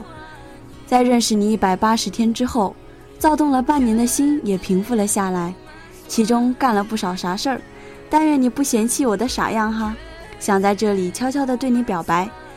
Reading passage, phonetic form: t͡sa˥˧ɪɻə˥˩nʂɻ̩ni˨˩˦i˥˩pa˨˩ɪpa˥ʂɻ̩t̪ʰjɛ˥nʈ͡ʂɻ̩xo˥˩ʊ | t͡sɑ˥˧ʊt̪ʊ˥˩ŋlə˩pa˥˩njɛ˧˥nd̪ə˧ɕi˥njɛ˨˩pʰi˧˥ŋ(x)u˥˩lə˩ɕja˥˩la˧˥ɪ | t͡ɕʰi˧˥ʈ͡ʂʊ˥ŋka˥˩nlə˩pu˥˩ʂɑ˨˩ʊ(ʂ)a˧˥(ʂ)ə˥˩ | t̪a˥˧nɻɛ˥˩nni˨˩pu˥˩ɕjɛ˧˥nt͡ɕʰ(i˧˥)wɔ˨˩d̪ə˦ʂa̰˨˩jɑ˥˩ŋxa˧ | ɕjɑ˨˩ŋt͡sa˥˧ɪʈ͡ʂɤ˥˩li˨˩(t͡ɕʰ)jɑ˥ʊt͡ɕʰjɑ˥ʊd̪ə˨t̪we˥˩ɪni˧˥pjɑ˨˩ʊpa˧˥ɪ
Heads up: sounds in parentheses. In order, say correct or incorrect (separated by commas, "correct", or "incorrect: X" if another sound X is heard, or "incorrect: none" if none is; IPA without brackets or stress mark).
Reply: incorrect: f, correct, correct, incorrect: i˥˩, correct